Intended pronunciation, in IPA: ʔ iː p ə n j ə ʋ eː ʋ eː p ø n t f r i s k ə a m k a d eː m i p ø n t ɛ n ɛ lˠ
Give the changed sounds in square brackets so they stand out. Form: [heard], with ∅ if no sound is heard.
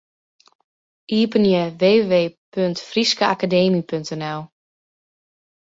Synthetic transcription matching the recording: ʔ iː p ə n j ə ʋ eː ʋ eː p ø n t f r i s k ə a [∅] k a d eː m i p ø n t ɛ n ɛ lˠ